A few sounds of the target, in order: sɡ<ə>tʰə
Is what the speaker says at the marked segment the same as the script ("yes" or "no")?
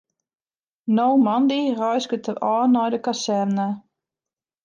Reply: yes